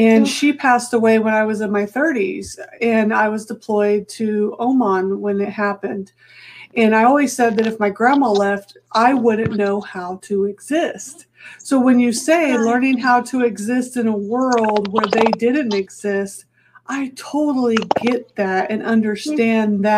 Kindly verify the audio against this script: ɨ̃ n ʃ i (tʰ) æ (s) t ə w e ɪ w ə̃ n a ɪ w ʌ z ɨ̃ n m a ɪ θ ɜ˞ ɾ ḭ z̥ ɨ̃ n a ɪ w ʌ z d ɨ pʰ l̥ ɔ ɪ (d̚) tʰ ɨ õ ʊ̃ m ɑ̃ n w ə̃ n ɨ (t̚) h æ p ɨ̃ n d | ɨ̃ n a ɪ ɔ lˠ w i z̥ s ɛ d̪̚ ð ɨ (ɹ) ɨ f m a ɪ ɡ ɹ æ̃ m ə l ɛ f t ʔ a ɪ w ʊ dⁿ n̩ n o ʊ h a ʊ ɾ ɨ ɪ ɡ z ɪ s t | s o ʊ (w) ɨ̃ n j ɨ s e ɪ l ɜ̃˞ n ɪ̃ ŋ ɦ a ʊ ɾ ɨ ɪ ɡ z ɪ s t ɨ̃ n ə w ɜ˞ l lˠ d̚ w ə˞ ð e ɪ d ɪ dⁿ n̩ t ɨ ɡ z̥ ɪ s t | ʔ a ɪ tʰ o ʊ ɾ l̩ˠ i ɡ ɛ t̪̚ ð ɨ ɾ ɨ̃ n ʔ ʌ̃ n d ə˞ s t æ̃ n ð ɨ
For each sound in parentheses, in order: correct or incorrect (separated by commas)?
incorrect, correct, correct, correct, incorrect, correct